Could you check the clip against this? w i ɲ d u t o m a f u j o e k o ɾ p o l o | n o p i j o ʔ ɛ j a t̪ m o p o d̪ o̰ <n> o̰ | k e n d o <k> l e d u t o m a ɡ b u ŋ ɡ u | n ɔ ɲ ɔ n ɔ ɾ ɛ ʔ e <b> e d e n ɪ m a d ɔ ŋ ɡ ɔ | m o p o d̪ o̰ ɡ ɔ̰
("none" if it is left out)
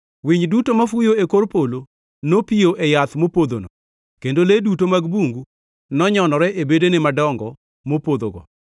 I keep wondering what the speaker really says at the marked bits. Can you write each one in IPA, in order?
n, none, b

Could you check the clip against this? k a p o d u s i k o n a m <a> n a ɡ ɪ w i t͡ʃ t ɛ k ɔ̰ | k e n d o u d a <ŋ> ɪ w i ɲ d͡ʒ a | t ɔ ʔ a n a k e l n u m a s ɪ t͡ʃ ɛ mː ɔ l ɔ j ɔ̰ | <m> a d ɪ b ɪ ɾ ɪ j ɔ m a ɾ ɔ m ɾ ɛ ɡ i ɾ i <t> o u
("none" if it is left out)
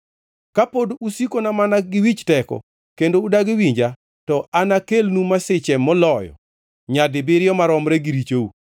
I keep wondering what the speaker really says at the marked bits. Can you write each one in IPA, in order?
a, ɡ, ɲ, t͡ʃ

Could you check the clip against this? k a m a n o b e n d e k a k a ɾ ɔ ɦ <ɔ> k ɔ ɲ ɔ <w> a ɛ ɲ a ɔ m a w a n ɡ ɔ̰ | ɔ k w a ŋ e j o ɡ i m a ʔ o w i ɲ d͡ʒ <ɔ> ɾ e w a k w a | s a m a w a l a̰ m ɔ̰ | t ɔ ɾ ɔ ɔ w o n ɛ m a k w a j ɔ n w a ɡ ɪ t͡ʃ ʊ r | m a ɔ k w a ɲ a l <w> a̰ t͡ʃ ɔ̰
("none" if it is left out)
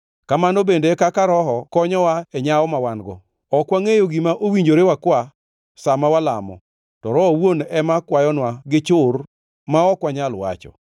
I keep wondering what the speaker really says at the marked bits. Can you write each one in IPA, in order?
ɔ, w, o, w

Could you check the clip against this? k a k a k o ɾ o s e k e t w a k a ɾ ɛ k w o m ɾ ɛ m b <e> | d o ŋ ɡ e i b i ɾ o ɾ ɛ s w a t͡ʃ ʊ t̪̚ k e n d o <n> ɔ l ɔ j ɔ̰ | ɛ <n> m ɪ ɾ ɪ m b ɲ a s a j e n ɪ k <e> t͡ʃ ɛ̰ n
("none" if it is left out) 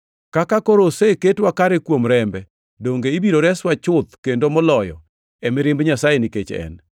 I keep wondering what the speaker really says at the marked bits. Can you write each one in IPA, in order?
ɛ, m, none, e

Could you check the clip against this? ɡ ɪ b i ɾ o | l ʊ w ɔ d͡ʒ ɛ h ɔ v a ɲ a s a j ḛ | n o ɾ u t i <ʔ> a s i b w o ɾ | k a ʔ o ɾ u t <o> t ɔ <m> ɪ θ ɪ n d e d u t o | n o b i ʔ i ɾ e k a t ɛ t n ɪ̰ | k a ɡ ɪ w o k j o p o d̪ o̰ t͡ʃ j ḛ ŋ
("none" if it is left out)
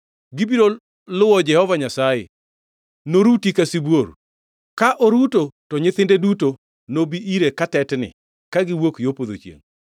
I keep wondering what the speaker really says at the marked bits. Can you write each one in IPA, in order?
k, o, ɲ

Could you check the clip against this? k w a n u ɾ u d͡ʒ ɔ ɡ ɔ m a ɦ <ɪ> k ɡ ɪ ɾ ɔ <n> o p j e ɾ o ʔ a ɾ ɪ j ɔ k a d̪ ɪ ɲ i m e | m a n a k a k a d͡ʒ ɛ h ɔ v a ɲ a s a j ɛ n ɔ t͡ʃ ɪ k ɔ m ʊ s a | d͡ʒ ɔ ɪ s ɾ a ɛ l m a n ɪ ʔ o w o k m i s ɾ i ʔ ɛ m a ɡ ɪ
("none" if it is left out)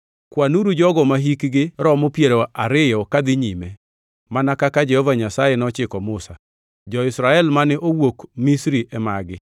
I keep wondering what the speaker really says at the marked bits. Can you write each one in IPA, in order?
i, m

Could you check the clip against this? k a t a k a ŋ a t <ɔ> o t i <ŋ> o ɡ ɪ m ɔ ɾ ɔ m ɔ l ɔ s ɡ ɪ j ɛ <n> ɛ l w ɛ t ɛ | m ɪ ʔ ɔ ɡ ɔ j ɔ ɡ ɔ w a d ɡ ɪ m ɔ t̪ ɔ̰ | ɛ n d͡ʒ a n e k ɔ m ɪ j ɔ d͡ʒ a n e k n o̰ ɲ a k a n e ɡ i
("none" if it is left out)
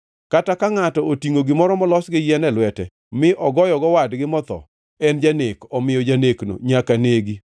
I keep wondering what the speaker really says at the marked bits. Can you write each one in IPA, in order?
ɔ, ŋ, n

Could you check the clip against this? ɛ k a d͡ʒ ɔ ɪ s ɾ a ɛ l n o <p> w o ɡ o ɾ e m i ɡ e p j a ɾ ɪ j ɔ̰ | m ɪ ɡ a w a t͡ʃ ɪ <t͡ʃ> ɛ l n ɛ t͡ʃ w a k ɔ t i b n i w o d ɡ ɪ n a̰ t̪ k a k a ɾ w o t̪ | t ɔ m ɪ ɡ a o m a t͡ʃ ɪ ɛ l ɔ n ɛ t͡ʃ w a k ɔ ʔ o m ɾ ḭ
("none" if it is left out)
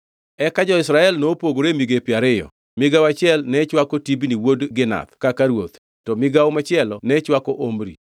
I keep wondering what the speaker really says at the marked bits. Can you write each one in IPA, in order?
p, none

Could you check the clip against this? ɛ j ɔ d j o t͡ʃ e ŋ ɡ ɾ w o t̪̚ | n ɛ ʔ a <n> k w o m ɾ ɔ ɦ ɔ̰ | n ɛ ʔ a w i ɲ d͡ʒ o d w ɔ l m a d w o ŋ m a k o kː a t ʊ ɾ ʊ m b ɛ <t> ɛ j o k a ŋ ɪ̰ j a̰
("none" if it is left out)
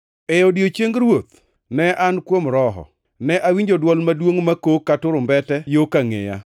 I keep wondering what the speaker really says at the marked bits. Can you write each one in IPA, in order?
n, t

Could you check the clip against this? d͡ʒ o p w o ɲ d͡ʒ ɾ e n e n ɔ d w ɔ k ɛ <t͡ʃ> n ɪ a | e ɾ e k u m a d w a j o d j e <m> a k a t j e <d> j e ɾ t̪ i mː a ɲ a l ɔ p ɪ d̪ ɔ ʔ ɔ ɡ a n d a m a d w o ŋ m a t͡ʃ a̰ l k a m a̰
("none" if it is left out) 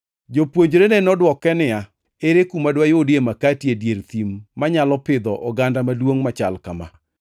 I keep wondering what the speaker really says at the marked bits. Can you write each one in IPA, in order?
none, m, d

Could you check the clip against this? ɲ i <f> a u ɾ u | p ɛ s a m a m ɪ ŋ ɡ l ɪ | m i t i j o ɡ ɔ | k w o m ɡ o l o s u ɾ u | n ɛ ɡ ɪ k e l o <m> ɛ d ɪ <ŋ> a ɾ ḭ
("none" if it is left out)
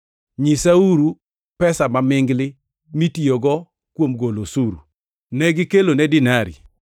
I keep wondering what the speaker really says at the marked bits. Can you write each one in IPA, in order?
s, n, n

